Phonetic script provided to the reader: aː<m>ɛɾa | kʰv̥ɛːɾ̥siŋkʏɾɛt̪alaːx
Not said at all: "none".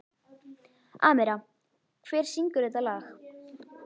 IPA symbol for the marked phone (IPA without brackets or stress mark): m